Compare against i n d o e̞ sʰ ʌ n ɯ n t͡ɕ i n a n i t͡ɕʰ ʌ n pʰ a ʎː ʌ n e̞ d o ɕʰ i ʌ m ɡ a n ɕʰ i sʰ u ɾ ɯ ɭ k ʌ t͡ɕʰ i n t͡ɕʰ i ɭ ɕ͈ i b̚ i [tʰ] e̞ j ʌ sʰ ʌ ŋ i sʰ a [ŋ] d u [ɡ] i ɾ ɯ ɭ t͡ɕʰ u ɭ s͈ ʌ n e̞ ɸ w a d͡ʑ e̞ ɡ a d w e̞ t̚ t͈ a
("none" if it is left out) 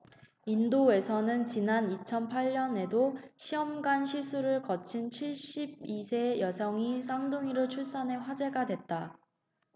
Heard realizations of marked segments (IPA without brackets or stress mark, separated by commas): sʰ, ŋ, ŋ